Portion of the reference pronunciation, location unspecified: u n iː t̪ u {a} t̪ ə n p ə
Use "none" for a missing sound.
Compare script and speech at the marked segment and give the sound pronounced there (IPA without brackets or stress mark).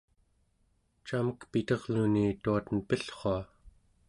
a